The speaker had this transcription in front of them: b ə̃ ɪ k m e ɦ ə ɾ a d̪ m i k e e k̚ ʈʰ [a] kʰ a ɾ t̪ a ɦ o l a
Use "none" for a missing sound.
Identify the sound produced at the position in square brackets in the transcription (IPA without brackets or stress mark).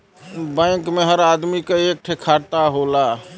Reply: e